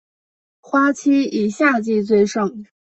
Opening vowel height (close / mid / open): open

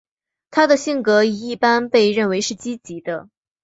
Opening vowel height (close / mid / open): open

